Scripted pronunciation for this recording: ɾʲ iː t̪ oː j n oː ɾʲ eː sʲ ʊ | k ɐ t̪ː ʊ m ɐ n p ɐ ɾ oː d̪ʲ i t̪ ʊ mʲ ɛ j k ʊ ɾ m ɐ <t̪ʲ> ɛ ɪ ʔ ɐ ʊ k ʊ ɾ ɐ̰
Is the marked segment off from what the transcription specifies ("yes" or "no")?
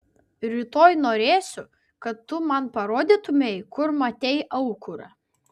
no